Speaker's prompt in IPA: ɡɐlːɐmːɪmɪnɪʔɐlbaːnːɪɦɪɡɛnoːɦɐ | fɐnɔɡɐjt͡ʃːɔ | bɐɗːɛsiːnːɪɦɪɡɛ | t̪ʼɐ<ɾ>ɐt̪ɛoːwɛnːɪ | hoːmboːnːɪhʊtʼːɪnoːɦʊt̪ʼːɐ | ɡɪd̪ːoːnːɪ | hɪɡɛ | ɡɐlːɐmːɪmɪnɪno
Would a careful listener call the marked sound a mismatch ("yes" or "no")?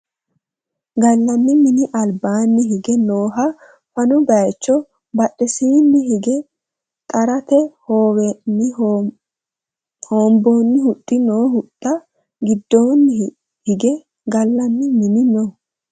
no